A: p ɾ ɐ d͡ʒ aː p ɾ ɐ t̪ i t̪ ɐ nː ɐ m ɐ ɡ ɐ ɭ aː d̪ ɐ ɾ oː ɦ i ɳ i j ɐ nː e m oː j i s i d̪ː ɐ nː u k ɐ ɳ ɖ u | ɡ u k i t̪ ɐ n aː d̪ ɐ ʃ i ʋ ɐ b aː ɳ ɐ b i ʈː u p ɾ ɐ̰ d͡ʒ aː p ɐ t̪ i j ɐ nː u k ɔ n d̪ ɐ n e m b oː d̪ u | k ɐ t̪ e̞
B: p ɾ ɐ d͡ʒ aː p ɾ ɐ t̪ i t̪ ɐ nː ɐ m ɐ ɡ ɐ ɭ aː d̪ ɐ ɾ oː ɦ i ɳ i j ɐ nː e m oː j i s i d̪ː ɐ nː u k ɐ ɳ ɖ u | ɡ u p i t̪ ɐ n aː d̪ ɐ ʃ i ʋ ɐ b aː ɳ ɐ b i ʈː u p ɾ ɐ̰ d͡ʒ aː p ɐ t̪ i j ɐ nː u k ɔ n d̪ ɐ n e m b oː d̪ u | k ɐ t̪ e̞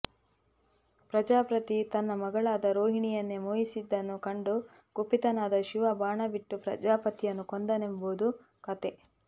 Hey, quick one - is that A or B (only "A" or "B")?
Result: B